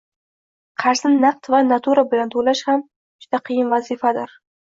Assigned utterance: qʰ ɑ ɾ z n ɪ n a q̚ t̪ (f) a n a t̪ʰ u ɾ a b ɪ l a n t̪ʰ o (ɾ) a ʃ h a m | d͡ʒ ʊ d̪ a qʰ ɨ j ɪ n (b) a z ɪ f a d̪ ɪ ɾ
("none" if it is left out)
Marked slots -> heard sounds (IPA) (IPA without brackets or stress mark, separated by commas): v, l, v